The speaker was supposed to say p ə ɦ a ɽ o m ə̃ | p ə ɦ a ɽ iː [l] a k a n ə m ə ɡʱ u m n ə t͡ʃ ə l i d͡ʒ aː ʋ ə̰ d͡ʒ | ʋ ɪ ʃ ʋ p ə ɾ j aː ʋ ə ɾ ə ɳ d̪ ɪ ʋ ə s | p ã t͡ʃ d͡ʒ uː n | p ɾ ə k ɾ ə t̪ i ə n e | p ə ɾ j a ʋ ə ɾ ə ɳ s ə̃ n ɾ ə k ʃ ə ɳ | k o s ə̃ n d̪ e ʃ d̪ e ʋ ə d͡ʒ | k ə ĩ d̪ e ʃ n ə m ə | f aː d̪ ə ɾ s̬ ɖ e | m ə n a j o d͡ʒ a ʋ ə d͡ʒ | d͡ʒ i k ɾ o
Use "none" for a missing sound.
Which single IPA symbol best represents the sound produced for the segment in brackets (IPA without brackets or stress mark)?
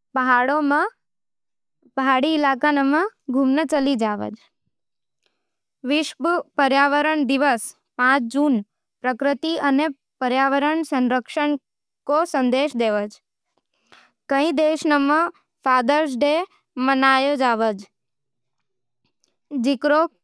l